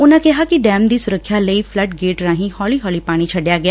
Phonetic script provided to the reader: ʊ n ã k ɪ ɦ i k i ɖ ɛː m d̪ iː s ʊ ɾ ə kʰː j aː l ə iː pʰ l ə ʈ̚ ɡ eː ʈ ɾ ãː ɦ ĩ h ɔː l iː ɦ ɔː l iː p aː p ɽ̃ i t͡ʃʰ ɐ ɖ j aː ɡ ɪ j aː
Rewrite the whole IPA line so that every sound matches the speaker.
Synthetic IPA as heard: ʊ n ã k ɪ ɦ a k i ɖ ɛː m d̪ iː s ʊ ɾ ə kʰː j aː l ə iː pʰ l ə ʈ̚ ɡ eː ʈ ɾ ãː ɦ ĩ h ɔː l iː ɦ ɔː l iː p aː ɽ̃ i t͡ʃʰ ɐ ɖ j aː ɡ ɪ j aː